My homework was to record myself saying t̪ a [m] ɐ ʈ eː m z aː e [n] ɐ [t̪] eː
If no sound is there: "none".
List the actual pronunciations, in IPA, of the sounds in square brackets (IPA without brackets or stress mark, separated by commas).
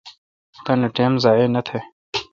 n, n, t̪ʰ